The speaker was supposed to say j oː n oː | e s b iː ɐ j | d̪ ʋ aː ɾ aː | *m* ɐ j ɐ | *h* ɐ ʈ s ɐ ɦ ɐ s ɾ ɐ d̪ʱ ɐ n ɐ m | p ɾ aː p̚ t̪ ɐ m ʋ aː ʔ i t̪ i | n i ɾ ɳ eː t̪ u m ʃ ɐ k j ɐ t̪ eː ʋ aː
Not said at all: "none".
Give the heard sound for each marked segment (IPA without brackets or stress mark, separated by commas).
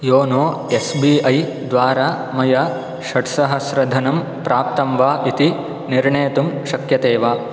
m, ʃ